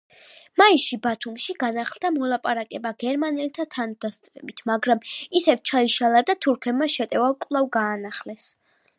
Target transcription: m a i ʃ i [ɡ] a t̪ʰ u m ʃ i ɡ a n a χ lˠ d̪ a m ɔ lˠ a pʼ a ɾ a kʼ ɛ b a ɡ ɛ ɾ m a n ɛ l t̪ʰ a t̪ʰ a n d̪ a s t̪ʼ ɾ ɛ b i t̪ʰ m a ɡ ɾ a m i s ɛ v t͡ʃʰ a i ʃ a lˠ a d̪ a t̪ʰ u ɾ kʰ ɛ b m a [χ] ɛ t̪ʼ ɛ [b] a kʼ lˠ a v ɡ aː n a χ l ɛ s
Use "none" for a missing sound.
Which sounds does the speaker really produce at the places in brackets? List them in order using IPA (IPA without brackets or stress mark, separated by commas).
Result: b, ʃ, v